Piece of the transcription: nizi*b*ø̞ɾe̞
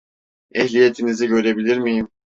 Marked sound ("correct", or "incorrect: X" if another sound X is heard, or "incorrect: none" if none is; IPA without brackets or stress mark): incorrect: ɟ